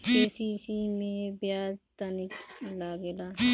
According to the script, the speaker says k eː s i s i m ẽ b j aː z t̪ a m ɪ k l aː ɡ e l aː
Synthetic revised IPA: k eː s i s i m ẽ b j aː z t̪ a n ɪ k l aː ɡ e l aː